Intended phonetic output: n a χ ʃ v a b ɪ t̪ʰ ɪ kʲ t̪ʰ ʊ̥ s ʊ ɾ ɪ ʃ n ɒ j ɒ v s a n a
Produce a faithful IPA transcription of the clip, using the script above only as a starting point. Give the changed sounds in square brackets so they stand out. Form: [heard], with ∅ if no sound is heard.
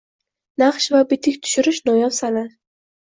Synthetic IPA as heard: n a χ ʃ v a b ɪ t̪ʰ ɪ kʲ t̪ʰ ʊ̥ [ʃ] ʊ ɾ ɪ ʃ n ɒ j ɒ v s a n a